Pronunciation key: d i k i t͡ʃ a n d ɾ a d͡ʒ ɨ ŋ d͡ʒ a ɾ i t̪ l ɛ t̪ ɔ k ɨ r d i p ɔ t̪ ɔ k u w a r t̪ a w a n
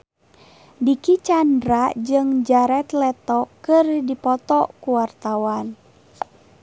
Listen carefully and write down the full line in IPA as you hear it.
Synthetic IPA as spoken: d i k i t͡ʃ a n d ɾ a d͡ʒ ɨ ŋ d͡ʒ a ɾ ɛ t̪ l ɛ t̪ ɔ k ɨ r d i p ɔ t̪ ɔ k u w a r t̪ a w a n